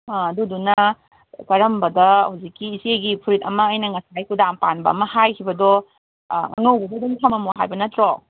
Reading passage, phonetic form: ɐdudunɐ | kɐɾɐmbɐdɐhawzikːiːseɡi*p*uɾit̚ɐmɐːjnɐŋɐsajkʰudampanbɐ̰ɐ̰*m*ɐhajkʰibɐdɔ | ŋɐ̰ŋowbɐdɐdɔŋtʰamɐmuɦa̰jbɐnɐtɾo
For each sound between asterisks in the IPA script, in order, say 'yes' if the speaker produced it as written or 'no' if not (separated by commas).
no, yes